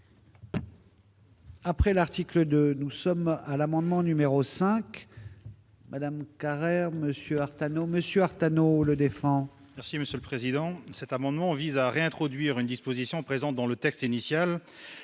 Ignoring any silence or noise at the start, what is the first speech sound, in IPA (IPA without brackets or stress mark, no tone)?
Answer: a